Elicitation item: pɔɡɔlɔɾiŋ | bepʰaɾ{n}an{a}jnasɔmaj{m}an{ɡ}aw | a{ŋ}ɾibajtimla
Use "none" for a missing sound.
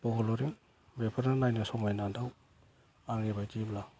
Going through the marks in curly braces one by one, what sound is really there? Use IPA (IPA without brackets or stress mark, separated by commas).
n, a, n, d, ŋ